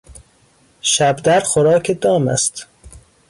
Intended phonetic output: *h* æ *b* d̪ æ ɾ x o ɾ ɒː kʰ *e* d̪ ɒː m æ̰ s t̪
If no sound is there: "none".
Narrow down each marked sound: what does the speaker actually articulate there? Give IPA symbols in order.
ʃ, b, e

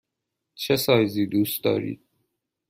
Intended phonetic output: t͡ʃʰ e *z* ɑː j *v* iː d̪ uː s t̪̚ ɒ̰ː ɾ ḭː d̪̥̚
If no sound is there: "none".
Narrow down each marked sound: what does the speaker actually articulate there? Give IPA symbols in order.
s, z

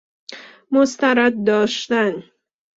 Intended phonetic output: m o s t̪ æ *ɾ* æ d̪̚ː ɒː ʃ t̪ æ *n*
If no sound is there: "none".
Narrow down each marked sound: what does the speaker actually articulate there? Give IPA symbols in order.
ɾ, n

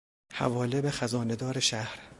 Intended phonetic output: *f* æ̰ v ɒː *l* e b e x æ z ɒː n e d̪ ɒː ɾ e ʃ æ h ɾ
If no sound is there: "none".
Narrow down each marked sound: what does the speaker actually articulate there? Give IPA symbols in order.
h, l

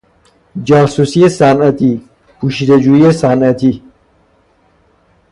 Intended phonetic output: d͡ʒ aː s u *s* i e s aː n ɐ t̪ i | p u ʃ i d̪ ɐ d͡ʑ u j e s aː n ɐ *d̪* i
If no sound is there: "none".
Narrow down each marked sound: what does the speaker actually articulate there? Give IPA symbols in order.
s, t̪

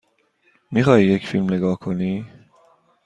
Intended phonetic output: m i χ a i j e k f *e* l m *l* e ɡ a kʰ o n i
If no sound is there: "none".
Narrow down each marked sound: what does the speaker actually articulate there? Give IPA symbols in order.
i, l

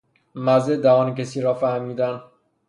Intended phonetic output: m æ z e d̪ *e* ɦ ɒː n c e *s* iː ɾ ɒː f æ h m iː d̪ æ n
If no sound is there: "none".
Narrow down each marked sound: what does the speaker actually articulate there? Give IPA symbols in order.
æ, s

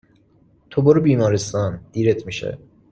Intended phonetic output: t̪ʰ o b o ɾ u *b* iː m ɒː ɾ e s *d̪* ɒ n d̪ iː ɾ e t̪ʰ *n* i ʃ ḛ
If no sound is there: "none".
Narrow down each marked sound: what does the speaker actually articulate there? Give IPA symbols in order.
b, t̪, m

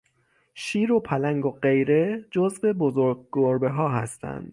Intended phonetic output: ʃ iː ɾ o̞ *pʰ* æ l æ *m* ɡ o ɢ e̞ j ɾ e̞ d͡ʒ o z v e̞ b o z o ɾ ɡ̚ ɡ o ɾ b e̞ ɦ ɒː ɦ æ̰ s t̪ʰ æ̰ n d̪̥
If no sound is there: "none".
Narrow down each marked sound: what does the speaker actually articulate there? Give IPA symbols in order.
pʰ, ŋ

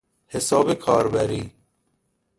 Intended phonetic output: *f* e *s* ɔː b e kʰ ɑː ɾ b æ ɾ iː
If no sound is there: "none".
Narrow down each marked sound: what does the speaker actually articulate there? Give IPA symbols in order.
h, s

